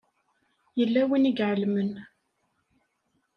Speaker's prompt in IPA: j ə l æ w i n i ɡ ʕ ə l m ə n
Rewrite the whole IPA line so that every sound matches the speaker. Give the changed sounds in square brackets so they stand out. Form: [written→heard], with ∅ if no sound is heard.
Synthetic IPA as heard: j ə [l→lː] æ w i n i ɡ ʕ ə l m ə n